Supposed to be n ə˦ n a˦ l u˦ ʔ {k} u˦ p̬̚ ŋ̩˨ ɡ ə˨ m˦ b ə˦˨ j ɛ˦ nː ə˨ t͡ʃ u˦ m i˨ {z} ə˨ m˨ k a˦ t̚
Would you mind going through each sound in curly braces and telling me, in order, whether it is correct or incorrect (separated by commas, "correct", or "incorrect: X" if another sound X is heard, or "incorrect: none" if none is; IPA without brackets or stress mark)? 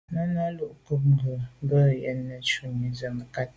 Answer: correct, correct